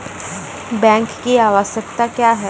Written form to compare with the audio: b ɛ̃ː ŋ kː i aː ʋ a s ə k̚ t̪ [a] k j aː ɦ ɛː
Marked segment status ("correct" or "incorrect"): correct